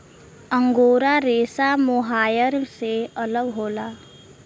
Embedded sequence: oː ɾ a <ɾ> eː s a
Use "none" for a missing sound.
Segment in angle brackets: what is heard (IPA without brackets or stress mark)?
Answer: ɾ